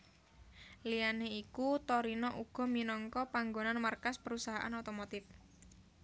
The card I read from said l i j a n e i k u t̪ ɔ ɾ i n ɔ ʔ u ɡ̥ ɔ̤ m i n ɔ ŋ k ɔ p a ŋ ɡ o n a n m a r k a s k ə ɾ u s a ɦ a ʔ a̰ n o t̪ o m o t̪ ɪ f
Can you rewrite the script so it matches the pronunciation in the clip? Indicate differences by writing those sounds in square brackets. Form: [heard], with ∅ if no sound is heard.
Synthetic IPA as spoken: l i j a n e i k u t̪ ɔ ɾ i n ɔ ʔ u ɡ̥ ɔ̤ m i n ɔ ŋ k ɔ p a ŋ ɡ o n a n m a r k a s [p] ə ɾ u s a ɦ a ʔ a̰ n o t̪ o m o t̪ ɪ f